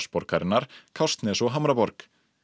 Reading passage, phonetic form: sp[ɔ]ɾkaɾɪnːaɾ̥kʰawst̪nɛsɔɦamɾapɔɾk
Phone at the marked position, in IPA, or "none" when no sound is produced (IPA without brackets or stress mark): ɔ